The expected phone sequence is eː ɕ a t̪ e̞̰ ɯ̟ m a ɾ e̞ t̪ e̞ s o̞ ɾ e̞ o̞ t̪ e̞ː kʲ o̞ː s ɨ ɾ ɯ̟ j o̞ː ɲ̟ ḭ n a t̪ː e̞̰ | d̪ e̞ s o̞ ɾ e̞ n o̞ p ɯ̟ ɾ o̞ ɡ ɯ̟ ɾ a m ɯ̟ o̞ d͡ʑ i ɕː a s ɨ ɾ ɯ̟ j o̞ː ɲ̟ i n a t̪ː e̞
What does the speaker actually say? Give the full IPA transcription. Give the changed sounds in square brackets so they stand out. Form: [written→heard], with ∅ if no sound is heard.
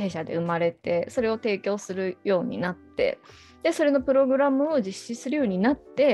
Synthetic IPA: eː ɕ a [t̪→d̪] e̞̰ ɯ̟ m a ɾ e̞ t̪ e̞ s o̞ ɾ e̞ o̞ t̪ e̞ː kʲ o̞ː s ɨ ɾ ɯ̟ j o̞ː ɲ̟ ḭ n a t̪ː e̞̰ | d̪ e̞ s o̞ ɾ e̞ n o̞ p ɯ̟ ɾ o̞ ɡ ɯ̟ ɾ a m ɯ̟ o̞ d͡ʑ i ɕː [a→i] s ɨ ɾ ɯ̟ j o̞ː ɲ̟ i n a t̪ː e̞